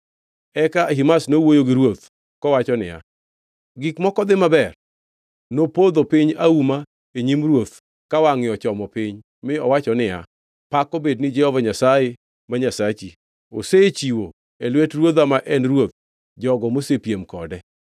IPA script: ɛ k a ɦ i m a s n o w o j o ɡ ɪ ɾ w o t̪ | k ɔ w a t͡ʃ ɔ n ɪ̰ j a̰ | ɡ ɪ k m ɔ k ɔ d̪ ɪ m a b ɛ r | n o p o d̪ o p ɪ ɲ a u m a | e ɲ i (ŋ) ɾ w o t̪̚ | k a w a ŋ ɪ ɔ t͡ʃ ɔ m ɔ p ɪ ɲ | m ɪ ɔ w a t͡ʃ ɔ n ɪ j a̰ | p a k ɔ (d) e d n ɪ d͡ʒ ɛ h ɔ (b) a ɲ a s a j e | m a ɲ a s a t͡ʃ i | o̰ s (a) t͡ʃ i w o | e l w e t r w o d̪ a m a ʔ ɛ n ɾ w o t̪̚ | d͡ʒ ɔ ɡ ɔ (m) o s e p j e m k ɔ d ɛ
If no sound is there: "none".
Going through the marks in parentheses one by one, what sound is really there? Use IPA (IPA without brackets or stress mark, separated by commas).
m, b, v, e, m